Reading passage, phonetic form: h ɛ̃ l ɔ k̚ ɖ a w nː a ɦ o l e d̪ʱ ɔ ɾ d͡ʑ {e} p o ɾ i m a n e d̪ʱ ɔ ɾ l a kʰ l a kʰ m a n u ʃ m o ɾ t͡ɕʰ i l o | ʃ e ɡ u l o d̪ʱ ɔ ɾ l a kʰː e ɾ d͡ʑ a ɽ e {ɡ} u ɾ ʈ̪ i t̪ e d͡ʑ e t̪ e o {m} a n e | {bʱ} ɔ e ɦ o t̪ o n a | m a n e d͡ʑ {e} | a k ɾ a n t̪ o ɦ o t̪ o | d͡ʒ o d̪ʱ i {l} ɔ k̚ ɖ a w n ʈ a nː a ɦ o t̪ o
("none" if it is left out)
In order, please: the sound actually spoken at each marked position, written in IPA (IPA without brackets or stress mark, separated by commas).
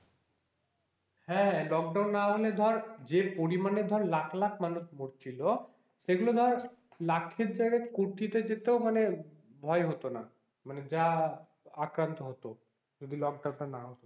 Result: e, k, m, bʱ, a, l